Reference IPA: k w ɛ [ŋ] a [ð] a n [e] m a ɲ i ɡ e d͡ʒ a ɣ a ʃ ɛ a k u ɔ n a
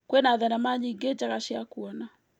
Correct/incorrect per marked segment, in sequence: incorrect: n, correct, incorrect: a

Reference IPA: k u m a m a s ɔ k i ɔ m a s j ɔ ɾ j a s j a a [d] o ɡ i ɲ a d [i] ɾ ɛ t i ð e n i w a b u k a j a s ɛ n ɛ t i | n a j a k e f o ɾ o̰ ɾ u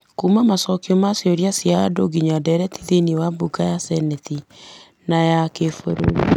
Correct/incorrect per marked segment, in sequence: correct, incorrect: ɛ

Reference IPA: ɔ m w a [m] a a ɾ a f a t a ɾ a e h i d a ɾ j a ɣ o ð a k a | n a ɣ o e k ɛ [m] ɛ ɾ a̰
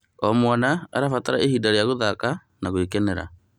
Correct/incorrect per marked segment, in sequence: incorrect: n, incorrect: n

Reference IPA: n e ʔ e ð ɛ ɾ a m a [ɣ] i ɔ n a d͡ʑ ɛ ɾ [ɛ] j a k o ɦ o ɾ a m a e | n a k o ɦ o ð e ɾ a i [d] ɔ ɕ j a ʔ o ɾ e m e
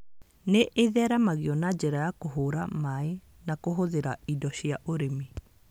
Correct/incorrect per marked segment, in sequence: correct, incorrect: a, correct

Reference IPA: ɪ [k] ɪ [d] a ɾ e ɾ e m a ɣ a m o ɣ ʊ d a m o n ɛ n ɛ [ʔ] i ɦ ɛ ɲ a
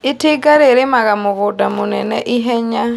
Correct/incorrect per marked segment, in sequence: incorrect: t, incorrect: ɡ, correct

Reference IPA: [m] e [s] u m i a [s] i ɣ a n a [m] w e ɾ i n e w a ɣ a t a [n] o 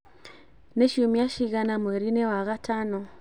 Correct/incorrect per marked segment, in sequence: incorrect: n, incorrect: ʃ, incorrect: ʃ, correct, correct

